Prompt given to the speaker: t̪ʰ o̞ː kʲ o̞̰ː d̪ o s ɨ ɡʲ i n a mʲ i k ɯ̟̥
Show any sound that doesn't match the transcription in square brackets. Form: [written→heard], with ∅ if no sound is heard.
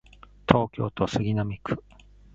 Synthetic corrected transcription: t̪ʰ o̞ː kʲ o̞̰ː [d̪→t̪] o s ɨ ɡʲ i n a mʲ i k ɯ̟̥